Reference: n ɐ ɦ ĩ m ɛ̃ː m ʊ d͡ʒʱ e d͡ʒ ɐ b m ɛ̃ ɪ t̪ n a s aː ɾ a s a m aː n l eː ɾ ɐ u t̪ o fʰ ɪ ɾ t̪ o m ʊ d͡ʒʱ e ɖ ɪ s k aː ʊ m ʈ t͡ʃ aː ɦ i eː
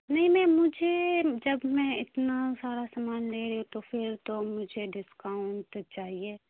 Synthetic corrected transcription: n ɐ ɦ ĩ m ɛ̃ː m ʊ d͡ʒʱ e d͡ʒ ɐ b m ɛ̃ ɪ t̪ n a s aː ɾ a s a m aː n l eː ɾ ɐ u t̪ o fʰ ɪ ɾ t̪ o m ʊ d͡ʒʱ e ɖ ɪ s k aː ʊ ɳ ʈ t͡ʃ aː ɦ i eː